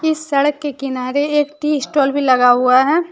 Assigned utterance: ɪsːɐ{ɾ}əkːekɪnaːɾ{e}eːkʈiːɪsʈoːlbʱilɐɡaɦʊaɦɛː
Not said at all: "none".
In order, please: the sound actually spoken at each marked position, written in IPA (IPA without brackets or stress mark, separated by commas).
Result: ɽ, e